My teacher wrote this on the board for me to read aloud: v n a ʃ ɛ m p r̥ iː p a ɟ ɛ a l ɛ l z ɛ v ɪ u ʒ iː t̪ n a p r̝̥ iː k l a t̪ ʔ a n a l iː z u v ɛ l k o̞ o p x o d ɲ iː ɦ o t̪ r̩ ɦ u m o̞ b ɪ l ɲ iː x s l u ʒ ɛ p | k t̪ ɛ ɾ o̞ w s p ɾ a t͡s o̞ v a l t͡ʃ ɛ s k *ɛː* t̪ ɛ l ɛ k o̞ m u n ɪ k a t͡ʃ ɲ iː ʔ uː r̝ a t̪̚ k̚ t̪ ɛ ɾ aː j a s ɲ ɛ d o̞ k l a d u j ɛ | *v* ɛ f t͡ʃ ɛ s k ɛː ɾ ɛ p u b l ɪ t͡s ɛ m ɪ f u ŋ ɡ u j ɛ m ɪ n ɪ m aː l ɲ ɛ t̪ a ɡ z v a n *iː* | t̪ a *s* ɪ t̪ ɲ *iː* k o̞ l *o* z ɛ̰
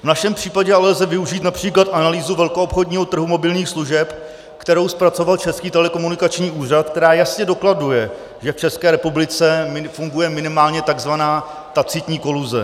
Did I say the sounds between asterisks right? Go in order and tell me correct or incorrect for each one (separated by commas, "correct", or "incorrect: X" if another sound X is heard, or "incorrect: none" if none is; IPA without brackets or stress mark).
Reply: incorrect: iː, incorrect: ʒ, incorrect: aː, incorrect: t͡s, correct, incorrect: u